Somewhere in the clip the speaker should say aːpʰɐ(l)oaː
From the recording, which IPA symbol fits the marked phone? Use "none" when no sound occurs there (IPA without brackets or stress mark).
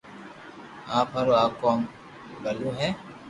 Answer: ɾ